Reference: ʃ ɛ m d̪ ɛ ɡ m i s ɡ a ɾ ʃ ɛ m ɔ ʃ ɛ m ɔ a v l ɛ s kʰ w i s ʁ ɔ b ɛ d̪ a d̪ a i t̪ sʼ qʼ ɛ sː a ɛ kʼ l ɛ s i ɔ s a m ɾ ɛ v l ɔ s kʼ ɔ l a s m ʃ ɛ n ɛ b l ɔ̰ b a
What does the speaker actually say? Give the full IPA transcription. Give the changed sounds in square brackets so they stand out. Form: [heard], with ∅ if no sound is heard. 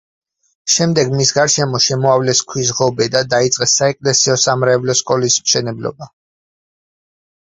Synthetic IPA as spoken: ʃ ɛ m d̪ ɛ ɡ m i s ɡ a ɾ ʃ ɛ m ɔ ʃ ɛ m ɔ a v l ɛ s kʰ w i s ʁ ɔ b ɛ d̪ a d̪ a i t̪ sʼ qʼ ɛ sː a ɛ kʼ l ɛ s i ɔ s a m ɾ ɛ v l ɔ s kʼ ɔ l [i] s m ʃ ɛ n ɛ b l ɔ̰ b a